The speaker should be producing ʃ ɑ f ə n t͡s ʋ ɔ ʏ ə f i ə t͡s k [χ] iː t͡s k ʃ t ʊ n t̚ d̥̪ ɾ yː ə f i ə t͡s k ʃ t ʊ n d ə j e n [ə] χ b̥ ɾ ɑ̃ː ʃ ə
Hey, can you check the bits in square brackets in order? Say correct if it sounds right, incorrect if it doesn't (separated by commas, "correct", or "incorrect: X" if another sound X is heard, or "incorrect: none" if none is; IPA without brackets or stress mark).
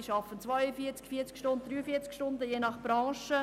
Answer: incorrect: f, incorrect: ɑ